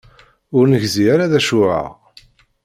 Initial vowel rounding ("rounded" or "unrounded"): rounded